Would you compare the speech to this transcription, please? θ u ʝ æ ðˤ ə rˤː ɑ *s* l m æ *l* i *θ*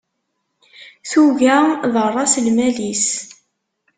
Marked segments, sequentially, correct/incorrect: correct, correct, incorrect

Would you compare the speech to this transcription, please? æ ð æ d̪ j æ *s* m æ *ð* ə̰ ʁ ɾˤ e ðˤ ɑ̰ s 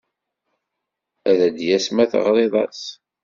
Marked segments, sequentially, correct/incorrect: correct, incorrect

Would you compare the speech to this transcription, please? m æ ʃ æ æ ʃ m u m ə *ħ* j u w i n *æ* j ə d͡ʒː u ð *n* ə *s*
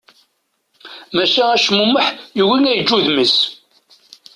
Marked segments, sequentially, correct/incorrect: correct, correct, incorrect, correct

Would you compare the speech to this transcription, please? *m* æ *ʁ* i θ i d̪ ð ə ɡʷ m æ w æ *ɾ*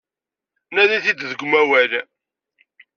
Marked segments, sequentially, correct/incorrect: incorrect, incorrect, incorrect

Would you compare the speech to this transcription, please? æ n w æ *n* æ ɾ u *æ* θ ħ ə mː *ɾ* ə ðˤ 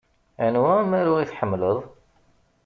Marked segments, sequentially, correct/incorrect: incorrect, incorrect, incorrect

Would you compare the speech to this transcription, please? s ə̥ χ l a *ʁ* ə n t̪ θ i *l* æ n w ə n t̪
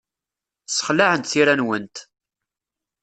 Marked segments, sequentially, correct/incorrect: incorrect, incorrect

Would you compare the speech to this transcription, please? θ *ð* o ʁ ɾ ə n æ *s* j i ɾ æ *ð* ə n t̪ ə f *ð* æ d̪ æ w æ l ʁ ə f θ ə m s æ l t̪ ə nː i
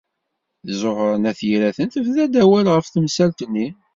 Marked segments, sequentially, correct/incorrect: incorrect, incorrect, incorrect, correct

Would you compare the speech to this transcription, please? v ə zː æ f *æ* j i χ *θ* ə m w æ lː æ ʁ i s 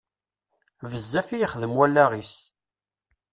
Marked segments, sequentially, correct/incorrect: incorrect, incorrect

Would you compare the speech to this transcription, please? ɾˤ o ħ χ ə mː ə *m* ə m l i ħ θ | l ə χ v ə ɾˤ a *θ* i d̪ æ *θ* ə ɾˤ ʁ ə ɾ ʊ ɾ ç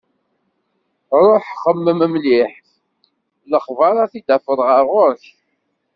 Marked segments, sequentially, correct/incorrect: correct, correct, incorrect

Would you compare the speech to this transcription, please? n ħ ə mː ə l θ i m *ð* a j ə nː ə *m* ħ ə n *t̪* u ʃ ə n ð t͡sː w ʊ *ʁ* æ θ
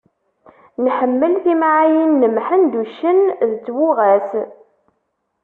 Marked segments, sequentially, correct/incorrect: incorrect, correct, incorrect, correct

